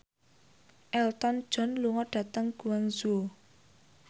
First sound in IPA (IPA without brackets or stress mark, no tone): ʔ